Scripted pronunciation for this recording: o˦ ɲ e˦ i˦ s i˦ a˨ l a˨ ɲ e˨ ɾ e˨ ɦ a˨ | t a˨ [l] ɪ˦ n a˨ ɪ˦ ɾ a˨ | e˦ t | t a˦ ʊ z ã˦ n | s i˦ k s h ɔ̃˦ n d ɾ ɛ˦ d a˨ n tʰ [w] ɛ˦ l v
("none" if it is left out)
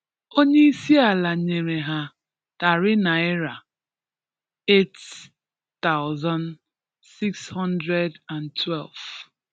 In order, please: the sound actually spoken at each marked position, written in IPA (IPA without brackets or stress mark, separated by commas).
ɾ, w